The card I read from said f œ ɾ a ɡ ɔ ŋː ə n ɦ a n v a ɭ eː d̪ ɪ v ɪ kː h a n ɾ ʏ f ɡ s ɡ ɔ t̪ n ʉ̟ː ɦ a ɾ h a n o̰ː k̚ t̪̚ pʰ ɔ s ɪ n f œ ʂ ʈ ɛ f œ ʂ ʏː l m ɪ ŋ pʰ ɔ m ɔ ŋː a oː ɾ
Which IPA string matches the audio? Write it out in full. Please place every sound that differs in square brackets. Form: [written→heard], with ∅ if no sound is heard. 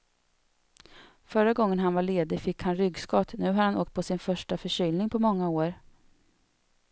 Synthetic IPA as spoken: f œ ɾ a ɡ ɔ ŋː ə n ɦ a n v a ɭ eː d̪ ɪ [v→f] ɪ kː h a n ɾ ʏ [f→∅] ɡ s [ɡ→k] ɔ t̪ n ʉ̟ː ɦ a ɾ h a n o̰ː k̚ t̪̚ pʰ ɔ s ɪ n f œ ʂ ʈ [ɛ→a] f œ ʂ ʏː l [m→n] ɪ ŋ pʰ ɔ m ɔ ŋː a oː ɾ